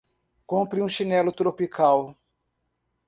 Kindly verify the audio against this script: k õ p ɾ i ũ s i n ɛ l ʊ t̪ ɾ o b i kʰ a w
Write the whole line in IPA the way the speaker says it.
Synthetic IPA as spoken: k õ p ɾ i ũ ʃ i n ɛ l ʊ t̪ ɾ o p i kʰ a w